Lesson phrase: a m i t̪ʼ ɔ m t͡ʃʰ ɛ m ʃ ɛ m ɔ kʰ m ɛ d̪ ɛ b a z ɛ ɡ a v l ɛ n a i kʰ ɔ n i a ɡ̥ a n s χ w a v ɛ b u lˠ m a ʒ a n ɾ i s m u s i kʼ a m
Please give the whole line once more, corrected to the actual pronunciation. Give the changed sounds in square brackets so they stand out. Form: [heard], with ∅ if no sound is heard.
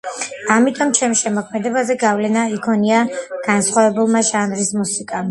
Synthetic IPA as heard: a m i t̪ʼ ɔ m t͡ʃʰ ɛ m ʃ ɛ m ɔ kʰ m ɛ d̪ ɛ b a z ɛ ɡ a v l ɛ n a i kʰ ɔ n i a ɡ̥ a n s χ w a v ɛ b u lˠ m a ʒ a n ɾ i s m u s i kʼ a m